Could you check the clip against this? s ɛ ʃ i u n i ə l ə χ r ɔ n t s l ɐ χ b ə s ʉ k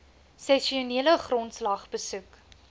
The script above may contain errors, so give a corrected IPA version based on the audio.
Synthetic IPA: s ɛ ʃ i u n i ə l ə χ r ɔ n t s l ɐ χ b ə s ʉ k